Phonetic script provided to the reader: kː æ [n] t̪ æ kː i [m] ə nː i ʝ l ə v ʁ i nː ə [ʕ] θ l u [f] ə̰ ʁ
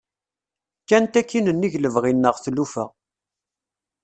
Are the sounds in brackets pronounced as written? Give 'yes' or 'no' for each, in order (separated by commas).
yes, no, no, yes